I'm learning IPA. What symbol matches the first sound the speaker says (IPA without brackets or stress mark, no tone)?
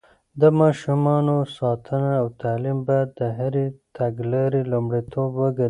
d̪